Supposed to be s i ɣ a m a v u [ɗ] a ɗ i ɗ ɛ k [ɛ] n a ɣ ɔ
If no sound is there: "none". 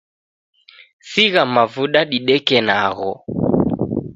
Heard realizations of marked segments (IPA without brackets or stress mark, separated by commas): ɗ, ɛ